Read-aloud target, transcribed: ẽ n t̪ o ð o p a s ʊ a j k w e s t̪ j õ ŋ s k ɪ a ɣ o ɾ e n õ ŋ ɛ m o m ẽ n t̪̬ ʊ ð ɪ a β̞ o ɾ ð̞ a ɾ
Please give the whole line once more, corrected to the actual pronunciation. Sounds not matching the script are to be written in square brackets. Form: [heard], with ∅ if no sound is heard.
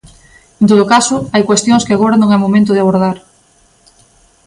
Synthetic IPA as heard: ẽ n t̪ o ð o [k] a s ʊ a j k w e s t̪ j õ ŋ s k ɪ a ɣ o ɾ [a] n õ ŋ ɛ m o m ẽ n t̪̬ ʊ ð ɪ a β̞ o ɾ ð̞ a ɾ

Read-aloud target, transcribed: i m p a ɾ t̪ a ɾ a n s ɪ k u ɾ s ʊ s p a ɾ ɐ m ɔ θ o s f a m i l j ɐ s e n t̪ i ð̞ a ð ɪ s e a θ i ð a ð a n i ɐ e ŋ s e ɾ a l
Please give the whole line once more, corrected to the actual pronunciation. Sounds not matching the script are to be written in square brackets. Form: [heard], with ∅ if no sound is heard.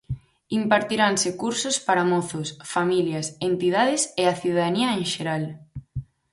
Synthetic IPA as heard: i m p a ɾ t̪ [i] ɾ a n s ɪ k u ɾ s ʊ s p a ɾ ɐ m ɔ θ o s f a m i l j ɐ s e n t̪ i ð̞ a ð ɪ s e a θ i ð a ð a n i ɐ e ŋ [ʃ] e ɾ a l

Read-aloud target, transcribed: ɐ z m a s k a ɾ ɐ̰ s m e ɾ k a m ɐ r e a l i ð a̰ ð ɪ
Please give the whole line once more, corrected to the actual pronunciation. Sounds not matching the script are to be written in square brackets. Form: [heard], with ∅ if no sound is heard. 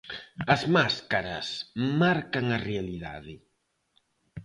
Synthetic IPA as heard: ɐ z m a s k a ɾ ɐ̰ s m [a] ɾ k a [ŋ] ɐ r e a l i ð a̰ ð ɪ

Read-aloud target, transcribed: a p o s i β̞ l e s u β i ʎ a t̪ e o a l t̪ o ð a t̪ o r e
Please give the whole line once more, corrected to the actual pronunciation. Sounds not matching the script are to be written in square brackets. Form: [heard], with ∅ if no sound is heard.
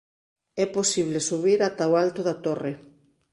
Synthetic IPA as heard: [ɛ] p o s i β̞ l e s u β i [ɾ] a t̪ [a] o a l t̪ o ð a t̪ o r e

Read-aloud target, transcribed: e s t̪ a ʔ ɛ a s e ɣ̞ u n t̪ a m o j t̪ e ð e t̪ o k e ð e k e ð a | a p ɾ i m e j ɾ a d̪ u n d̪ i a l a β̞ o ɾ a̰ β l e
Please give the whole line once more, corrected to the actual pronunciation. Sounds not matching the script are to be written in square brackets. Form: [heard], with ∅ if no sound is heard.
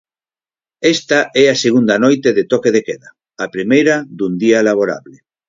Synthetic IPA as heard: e s t̪ a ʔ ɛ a s e ɣ̞ u n [d̪] a [n] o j t̪ e ð e t̪ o k e ð e k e ð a | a p ɾ i m e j ɾ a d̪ u n d̪ i a l a β̞ o ɾ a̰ β l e

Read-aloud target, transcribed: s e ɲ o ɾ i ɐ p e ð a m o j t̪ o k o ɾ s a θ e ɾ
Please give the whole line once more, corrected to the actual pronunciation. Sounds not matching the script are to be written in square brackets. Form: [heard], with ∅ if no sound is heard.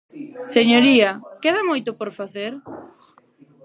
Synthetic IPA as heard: s e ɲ o ɾ i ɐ [k] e ð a m o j t̪ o [p] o ɾ [f] a θ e ɾ

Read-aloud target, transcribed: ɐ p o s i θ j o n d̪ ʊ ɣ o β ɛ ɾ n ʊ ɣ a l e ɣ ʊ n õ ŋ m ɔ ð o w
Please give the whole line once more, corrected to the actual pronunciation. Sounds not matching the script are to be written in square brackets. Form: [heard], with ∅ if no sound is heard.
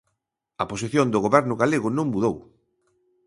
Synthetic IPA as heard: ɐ p o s i θ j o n d̪ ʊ ɣ o β ɛ ɾ n ʊ ɣ a l e ɣ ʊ n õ ŋ m [u] ð o w

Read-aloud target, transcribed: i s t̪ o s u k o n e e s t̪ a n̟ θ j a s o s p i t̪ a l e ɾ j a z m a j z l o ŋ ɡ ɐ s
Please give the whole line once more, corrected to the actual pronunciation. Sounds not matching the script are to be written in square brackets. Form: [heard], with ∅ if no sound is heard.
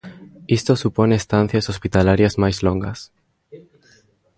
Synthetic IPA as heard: i s t̪ o s u [p] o n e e s t̪ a n̟ θ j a s o s p i t̪ a l [a] ɾ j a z m a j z l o ŋ ɡ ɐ s

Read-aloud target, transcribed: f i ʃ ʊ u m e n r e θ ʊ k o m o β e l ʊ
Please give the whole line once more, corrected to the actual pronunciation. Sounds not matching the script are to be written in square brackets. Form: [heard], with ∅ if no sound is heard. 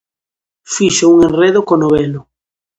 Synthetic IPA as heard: f i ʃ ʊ u [ŋ] e n r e [ð] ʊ k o [n] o β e l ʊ

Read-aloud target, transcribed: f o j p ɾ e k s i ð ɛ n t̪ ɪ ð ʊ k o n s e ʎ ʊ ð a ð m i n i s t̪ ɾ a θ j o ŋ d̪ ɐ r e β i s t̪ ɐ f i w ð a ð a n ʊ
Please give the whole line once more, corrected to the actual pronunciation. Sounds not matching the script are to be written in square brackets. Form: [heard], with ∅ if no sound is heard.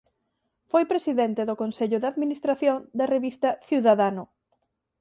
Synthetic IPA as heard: f o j p ɾ e [∅] s i ð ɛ n t̪ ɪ ð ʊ k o n s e ʎ ʊ ð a ð m i n i s t̪ ɾ a θ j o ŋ d̪ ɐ r e β i s t̪ ɐ [θ] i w ð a ð a n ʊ

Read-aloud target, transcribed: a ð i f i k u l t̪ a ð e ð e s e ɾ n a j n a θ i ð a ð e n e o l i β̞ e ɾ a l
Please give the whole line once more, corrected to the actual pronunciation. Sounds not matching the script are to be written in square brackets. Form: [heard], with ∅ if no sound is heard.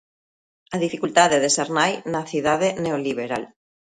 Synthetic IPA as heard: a ð i f i k u l t̪ a ð e ð e s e ɾ n a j n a θ i ð a ð e n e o l i β̞ e ɾ a l

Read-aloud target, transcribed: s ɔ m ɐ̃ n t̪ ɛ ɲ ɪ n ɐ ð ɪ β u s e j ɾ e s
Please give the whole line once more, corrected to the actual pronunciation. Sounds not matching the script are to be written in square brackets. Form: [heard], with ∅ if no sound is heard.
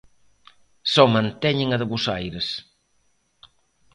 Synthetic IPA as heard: s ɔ m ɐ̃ n t̪ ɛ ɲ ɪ [ŋ] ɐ ð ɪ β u s [a] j ɾ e s

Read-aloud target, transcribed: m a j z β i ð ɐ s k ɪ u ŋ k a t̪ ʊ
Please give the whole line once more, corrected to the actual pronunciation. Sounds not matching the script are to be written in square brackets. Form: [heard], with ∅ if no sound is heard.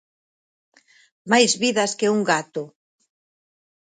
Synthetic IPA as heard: m a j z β i ð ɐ s k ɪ u ŋ [ɡ] a t̪ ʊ

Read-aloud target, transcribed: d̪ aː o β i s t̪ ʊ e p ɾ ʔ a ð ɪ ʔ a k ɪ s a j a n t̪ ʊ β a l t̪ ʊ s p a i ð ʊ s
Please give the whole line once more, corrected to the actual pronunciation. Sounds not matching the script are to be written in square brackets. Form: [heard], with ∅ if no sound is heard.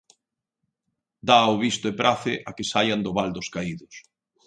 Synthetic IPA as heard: d̪ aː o β i s t̪ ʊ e p ɾ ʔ a [θ] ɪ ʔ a k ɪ s a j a n [d̪] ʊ β a l [d̪] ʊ s [k] a i ð ʊ s

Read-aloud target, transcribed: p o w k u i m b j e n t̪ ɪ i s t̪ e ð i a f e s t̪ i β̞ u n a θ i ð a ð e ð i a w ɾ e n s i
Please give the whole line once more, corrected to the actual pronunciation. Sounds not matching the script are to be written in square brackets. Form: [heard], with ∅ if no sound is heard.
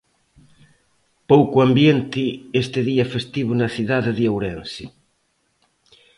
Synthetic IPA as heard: p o w k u [a] m b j e n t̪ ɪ [e] s t̪ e ð i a f e s t̪ i β̞ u n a θ i ð a ð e ð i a w ɾ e n s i

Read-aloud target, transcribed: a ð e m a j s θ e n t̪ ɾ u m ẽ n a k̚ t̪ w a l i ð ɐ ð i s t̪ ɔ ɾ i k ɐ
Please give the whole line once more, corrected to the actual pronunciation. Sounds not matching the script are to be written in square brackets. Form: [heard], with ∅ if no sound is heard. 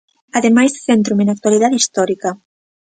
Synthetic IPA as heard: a ð e m a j s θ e n t̪ ɾ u m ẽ n a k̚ t̪ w a l i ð [a] ð i s t̪ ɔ ɾ i k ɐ

